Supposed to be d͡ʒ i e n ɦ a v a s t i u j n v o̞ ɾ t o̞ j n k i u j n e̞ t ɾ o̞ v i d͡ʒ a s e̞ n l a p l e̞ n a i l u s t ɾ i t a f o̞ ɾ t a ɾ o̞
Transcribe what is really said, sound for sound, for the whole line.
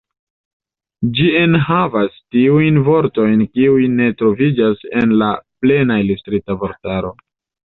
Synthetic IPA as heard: d͡ʒ i e n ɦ a v a s t i u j n v o̞ ɾ t o̞ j n k i u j n e̞ t ɾ o̞ v i d͡ʒ a s e̞ n l a p l e̞ n a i l u s t ɾ i t a v o̞ ɾ t a ɾ o̞